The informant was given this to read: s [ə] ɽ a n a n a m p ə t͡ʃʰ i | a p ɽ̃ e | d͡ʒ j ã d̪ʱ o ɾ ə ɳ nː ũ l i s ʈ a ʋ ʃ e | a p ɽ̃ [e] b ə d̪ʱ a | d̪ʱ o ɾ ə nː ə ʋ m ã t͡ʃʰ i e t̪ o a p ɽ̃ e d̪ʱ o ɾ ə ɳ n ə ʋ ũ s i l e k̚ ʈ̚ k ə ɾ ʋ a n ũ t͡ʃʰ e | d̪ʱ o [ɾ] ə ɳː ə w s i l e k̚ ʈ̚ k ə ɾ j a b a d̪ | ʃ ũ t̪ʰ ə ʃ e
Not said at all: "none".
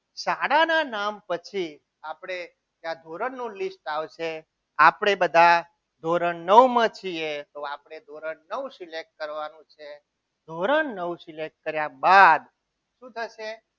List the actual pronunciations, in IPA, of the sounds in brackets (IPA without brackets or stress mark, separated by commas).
a, e, ɾ